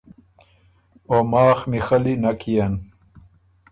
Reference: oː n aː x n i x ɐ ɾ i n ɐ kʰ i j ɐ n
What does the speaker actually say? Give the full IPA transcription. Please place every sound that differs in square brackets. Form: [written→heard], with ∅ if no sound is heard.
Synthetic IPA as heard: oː [n→m] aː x [n→m] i x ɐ [ɾ→l] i n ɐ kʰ i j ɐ n